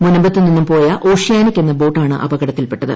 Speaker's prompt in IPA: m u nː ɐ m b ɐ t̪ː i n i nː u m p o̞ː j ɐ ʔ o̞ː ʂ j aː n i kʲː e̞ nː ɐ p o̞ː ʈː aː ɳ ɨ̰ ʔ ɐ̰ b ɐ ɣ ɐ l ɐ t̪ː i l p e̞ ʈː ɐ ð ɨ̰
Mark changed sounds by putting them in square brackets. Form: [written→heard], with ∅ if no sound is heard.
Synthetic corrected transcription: m u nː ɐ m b ɐ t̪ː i n i nː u m p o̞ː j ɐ ʔ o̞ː ʂ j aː n i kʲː e̞ nː ɐ [p→b] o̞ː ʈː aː ɳ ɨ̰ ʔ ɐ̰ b ɐ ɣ ɐ [l→ɽ] ɐ t̪ː i l p e̞ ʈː ɐ ð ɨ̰